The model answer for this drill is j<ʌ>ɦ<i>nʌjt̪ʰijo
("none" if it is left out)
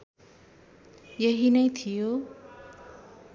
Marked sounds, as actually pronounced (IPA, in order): ʌ, i

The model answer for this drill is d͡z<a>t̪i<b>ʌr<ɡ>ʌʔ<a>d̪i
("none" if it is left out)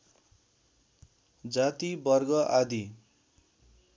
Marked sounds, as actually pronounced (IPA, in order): a, b, ɡ, a

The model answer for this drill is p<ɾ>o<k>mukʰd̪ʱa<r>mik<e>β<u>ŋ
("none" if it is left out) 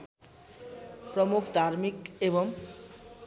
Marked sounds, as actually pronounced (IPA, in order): ɾ, none, ɾ, e, o

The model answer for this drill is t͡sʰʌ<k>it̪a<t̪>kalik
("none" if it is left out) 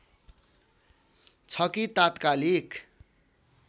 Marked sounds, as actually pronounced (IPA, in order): k, t̪

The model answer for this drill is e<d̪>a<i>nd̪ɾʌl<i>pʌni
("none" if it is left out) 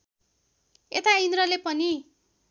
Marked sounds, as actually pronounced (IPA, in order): t̪, i, e

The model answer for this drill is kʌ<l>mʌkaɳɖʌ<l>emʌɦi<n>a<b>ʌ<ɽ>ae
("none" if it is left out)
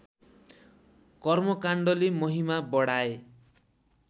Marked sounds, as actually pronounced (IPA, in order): r, l, m, b, ɽ

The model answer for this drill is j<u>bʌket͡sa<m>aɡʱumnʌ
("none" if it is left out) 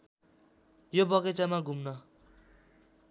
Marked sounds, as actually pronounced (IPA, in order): o, m

